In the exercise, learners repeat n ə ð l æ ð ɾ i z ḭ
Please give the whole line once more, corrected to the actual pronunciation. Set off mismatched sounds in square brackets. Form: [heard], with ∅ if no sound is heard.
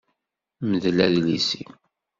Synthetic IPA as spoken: [m] ə ð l æ ð [l] i [s] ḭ